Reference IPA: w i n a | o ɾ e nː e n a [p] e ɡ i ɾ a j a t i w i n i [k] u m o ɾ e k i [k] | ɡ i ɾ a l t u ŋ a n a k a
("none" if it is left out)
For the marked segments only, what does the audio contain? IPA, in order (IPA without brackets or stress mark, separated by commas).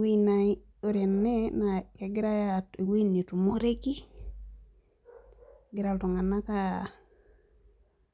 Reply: k, t, none